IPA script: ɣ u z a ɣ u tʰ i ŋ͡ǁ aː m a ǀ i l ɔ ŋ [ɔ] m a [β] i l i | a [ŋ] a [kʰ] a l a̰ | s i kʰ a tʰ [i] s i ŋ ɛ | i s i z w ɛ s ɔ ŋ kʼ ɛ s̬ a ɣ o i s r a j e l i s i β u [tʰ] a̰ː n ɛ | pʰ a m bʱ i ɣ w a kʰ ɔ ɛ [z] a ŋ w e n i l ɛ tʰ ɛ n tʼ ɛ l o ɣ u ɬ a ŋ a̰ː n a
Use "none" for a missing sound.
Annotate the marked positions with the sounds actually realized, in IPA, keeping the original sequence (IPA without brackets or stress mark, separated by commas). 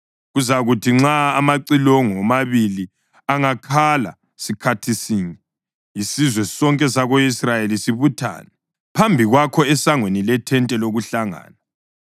ɔ, β, ŋ, kʰ, i, tʰ, s